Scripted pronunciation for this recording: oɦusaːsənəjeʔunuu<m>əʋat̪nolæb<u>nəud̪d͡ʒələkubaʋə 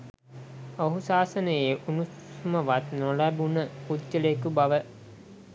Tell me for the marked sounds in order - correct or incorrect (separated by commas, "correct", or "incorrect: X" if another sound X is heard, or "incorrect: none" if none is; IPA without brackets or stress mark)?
correct, correct